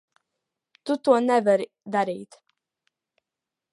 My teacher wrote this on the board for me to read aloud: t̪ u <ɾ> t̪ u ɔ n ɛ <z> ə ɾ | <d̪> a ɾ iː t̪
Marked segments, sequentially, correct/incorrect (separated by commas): incorrect, incorrect, correct